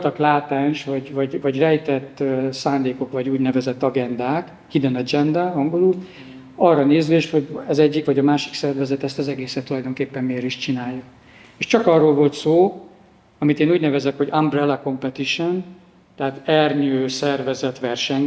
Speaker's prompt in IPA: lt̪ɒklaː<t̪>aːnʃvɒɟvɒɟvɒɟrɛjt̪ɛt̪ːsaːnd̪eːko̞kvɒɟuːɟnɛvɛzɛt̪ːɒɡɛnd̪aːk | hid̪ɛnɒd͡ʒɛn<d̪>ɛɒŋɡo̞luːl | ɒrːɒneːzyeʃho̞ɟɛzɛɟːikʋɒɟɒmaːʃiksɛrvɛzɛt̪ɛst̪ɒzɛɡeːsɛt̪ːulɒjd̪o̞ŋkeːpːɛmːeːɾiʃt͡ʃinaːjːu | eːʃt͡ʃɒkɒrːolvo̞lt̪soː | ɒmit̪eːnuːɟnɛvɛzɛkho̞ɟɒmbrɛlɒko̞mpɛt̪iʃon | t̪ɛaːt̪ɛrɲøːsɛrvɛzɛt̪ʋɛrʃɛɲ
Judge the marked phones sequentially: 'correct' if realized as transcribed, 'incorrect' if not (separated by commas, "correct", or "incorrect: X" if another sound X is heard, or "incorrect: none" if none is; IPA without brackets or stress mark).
correct, correct